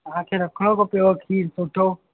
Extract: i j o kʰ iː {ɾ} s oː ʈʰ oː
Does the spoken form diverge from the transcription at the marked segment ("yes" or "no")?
no